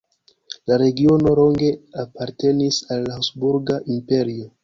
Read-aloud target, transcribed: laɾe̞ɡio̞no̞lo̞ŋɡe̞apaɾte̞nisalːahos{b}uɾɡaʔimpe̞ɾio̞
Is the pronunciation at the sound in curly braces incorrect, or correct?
correct